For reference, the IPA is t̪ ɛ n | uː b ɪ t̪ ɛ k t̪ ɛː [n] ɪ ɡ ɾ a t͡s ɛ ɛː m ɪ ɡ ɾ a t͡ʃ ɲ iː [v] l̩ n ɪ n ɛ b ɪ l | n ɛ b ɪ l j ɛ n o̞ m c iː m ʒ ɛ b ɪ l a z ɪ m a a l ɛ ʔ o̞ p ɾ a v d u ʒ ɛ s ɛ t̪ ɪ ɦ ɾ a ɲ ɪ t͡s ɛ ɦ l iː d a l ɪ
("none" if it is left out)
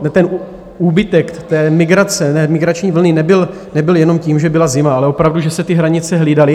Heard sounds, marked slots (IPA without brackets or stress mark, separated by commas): m, v